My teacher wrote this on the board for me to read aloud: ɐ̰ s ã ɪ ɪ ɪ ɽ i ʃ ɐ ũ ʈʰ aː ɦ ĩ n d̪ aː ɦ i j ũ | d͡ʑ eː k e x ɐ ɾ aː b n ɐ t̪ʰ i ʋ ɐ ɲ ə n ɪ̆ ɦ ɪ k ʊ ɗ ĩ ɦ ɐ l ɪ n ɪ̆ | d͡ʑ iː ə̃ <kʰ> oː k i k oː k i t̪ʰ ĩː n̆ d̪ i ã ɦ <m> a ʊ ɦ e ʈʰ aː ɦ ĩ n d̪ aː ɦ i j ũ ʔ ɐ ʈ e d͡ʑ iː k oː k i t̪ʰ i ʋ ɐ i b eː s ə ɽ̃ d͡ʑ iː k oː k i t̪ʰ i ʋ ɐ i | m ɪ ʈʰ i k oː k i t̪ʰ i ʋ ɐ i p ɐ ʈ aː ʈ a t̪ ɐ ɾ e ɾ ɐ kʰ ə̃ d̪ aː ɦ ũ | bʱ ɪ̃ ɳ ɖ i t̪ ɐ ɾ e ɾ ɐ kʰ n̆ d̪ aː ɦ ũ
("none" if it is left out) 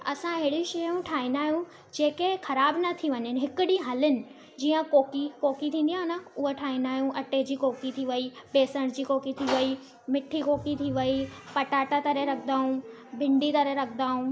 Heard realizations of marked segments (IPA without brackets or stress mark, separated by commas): k, n